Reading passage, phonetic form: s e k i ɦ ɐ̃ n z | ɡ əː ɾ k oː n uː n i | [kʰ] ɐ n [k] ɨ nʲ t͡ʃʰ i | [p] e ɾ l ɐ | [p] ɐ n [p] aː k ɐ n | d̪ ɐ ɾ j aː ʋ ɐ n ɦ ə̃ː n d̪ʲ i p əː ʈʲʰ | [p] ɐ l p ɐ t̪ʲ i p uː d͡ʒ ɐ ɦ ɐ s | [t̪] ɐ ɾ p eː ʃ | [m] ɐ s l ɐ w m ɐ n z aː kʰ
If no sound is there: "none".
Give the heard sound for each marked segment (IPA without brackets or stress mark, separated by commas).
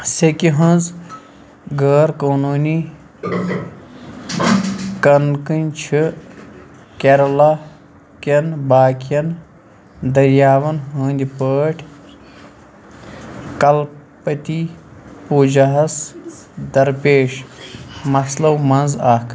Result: k, k, k, k, b, k, d̪, m